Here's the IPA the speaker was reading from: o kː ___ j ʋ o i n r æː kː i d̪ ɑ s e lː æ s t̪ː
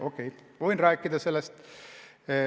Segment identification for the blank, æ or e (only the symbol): e